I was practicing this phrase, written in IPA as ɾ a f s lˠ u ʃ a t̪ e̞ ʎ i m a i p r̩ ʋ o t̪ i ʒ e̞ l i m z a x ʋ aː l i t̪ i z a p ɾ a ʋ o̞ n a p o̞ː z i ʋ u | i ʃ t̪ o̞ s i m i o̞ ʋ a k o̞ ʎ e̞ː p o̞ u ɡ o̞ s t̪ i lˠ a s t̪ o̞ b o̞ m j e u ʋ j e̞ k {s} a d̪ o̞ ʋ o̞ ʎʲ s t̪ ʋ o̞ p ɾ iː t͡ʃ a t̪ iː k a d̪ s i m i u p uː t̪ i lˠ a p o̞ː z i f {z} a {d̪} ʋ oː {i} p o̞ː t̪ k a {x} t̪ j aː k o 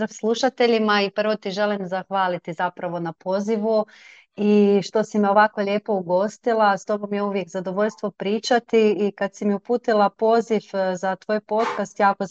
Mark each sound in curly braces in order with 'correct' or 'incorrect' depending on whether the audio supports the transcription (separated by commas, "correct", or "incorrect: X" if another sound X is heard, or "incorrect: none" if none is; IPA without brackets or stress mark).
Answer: incorrect: z, correct, incorrect: t̪, incorrect: j, incorrect: s